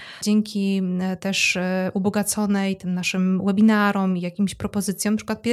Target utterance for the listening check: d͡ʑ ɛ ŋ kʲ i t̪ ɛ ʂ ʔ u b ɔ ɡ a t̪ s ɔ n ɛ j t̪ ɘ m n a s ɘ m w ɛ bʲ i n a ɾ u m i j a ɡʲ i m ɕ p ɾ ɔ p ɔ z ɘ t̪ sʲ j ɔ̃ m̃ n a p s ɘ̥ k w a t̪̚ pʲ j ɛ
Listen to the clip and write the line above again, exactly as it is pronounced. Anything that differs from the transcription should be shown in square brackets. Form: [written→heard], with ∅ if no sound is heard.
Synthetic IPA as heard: d͡ʑ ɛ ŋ kʲ i t̪ ɛ ʂ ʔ u b ɔ ɡ a t̪ s ɔ n ɛ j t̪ ɘ m n a [s→ʂ] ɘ m w ɛ bʲ i n a ɾ [u→ɔ] m i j a [ɡʲ→kʲ] i m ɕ p ɾ ɔ p ɔ z ɘ t̪ sʲ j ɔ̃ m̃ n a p [s→ʂ] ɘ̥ k w a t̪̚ pʲ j ɛ